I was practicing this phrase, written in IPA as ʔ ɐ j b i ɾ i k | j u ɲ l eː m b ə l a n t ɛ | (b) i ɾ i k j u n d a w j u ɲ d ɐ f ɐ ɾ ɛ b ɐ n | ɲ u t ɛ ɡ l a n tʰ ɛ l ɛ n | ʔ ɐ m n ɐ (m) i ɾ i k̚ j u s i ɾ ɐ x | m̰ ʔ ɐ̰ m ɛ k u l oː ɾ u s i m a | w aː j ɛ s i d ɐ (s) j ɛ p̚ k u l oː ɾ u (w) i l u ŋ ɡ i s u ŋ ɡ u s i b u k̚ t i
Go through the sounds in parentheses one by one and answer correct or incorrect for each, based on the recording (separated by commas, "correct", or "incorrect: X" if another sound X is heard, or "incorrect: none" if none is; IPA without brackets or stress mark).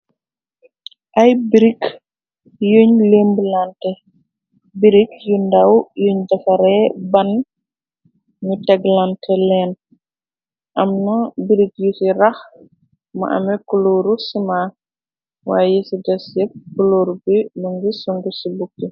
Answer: correct, incorrect: b, correct, incorrect: b